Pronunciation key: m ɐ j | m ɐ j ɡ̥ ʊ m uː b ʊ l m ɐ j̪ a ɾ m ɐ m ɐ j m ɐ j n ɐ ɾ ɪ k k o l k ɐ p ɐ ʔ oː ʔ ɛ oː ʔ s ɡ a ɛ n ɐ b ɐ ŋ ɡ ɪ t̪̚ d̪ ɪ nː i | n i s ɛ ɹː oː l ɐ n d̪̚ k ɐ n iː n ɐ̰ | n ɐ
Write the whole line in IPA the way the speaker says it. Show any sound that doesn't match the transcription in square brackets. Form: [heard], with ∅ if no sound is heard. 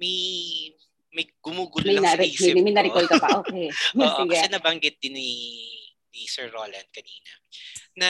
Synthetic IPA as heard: m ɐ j | m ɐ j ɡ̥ ʊ m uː [ɡ] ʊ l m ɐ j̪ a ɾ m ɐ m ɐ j m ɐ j n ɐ ɾ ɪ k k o l k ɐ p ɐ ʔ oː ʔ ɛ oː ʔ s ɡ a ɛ n ɐ b ɐ ŋ ɡ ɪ t̪̚ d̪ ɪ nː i | n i s ɛ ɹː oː l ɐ n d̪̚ k ɐ n iː n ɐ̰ | n ɐ